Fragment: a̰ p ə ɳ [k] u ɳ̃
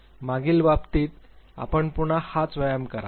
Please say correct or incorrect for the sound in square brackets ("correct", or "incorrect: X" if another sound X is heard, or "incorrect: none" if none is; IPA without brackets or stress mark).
incorrect: p